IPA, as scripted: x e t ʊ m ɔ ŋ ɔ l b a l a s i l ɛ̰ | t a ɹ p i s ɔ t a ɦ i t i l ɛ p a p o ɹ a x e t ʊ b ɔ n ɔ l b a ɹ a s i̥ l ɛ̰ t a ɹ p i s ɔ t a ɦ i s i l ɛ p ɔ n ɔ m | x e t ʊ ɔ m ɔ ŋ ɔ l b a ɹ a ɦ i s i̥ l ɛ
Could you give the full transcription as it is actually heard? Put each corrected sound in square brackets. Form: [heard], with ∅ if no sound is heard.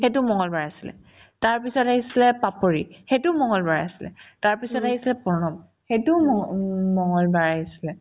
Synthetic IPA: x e t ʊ m ɔ ŋ ɔ l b a [ɹ] a s i l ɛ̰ | t a ɹ p i s ɔ t a ɦ i [s] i l ɛ p a p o ɹ [i] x e t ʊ [m] ɔ [ŋ] ɔ l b a ɹ a s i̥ l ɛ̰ t a ɹ p i s ɔ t a ɦ i s i l ɛ p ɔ n ɔ m | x e t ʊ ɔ m ɔ ŋ ɔ l b a ɹ a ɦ i s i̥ l ɛ